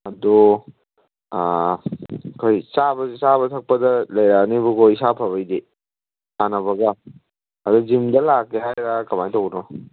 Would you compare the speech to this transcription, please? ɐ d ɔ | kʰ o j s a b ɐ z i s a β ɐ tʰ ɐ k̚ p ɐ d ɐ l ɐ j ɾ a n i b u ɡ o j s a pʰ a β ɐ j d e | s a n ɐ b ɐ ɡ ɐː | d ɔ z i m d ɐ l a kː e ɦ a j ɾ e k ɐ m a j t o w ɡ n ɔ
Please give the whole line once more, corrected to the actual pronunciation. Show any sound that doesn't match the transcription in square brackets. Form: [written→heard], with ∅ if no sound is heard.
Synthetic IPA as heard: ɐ d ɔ | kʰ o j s a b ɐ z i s a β ɐ tʰ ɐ k̚ p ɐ d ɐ l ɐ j ɾ a n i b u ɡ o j s a pʰ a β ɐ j d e | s a n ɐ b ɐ ɡ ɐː | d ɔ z i m d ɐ l a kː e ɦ a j ɾ [e→a] k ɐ m a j t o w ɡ n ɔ